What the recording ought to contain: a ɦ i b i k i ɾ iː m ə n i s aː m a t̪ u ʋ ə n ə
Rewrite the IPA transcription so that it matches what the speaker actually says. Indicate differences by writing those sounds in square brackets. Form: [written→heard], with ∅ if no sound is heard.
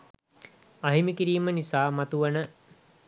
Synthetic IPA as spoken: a ɦ i [b→m] i k i ɾ iː m ə n i s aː m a t̪ u ʋ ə n ə

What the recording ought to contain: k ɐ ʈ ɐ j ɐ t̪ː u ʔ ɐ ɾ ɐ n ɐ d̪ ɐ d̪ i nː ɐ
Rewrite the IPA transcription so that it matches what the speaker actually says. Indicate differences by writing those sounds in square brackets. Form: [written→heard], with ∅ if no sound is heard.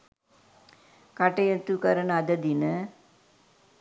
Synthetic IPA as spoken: k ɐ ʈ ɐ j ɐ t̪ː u [ʔ→k] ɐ ɾ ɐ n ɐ d̪ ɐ d̪ i [nː→n] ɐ

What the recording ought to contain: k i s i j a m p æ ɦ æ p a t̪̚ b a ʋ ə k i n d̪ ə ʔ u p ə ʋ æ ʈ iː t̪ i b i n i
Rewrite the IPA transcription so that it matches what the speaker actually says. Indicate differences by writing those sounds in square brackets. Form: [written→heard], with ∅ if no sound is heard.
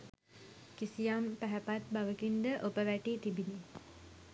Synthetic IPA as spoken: k i s i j a m p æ ɦ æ p a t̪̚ b a ʋ ə k i n d̪ ə ʔ [u→o] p ə ʋ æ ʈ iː t̪ i b i n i

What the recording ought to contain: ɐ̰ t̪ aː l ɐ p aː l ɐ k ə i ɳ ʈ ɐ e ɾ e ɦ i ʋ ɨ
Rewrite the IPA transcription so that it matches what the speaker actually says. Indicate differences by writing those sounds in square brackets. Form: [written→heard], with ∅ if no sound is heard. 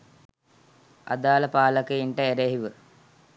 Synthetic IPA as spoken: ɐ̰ [t̪→d̪] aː l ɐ p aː l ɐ k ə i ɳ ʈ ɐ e ɾ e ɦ i ʋ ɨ

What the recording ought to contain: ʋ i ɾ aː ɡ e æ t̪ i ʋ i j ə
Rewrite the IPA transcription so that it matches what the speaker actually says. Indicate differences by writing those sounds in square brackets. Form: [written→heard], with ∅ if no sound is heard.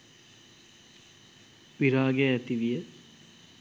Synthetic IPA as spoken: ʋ i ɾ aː ɡ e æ t̪ i ʋ i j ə

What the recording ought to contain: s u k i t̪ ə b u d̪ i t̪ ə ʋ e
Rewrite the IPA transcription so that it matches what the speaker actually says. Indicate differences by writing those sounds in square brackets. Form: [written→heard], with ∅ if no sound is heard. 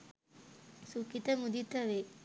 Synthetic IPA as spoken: s u k i t̪ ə [b→m] u d̪ i t̪ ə ʋ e

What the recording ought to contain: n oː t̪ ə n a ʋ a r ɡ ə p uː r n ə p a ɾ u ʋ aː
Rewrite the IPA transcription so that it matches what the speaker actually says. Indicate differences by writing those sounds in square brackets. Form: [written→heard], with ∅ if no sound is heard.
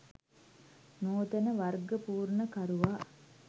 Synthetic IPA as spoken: n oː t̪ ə n [a→ə] ʋ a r ɡ ə p uː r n ə [p→k] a ɾ u ʋ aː

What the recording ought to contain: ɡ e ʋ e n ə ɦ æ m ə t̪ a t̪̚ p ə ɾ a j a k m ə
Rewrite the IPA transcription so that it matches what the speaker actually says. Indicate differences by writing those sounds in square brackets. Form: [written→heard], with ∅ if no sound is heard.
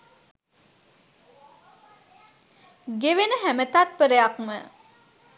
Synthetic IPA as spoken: ɡ e ʋ e n ə ɦ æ m ə t̪ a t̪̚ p ə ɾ [a→ə] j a k m ə

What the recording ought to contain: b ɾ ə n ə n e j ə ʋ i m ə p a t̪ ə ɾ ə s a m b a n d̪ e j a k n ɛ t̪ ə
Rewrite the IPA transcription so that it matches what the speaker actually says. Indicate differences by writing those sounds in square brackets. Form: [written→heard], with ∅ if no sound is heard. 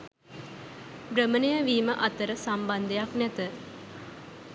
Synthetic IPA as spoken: b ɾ ə [n→m] ə n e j ə ʋ [i→iː] m ə [p→ʔ] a t̪ ə ɾ ə s a m b a n d̪ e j a k n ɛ t̪ ə

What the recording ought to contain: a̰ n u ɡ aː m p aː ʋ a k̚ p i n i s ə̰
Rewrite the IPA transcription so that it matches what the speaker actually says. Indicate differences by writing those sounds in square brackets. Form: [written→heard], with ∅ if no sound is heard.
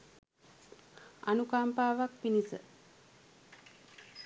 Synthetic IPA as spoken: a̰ n u [ɡ→k] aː m p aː ʋ a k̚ p i n i s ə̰

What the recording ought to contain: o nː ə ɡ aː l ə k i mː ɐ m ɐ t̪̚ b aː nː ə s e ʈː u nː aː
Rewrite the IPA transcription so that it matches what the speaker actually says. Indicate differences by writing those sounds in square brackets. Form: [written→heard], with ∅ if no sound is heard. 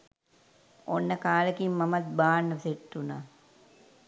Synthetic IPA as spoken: o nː ə [ɡ→k] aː l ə k i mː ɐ m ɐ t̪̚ b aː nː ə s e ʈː u [nː→n] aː

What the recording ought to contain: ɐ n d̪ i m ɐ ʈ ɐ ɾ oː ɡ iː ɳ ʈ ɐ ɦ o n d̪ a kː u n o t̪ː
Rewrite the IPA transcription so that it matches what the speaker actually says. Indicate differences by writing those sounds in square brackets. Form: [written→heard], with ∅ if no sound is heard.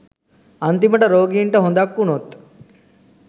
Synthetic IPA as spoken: ɐ n [d̪→t̪] i m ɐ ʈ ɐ ɾ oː ɡ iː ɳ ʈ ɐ ɦ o n d̪ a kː u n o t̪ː

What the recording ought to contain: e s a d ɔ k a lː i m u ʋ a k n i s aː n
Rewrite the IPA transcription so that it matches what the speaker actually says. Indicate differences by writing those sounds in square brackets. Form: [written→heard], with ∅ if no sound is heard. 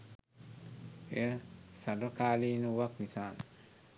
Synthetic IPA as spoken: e s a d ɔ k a [lː→l] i [m→n] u [ʋ→w] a k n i s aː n

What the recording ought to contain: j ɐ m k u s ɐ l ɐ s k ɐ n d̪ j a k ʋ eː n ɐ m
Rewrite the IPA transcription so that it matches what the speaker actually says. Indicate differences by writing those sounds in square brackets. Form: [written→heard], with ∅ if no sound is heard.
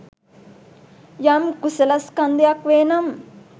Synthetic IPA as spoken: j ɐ m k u s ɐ l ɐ s k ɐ n d̪ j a k ʋ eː n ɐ m

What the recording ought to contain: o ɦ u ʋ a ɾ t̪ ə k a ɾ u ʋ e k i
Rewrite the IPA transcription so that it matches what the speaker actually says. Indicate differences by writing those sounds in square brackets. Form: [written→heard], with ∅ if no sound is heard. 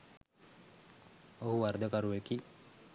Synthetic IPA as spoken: o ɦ u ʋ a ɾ [t̪→d̪] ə k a ɾ u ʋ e k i

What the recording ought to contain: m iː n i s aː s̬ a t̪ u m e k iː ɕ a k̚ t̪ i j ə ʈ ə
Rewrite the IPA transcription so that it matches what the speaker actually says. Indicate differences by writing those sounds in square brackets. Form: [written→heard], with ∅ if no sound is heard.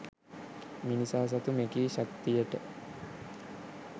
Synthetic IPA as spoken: m [iː→i] n i s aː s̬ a t̪ u m e k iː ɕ a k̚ t̪ i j ə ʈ ə

